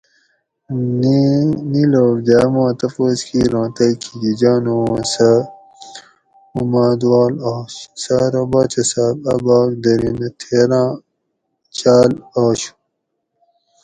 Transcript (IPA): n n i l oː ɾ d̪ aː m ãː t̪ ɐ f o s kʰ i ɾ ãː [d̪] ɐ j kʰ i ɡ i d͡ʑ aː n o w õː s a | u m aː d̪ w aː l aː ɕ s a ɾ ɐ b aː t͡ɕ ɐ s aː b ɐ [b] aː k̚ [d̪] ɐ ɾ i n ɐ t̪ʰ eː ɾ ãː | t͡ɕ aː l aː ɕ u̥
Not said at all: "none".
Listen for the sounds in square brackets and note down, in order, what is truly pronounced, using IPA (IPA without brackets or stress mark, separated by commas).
t̪, b, d̪